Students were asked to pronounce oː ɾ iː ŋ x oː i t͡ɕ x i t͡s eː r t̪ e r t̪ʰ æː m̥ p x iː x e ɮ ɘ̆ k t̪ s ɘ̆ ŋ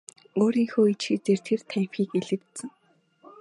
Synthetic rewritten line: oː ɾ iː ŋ x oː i t͡ɕ x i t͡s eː r t̪ʰ e r t̪ʰ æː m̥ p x iː k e ɮ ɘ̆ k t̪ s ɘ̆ ŋ